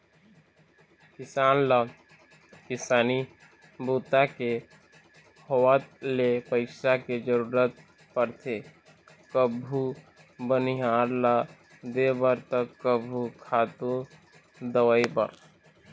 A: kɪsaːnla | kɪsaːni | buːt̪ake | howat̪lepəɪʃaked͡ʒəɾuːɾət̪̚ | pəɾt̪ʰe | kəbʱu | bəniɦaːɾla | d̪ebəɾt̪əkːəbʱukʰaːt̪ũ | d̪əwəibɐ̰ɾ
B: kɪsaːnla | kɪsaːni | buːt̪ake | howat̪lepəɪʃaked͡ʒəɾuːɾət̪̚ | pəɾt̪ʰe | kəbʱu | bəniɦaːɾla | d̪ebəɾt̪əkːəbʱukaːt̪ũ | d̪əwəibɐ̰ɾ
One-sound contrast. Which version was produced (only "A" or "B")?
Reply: A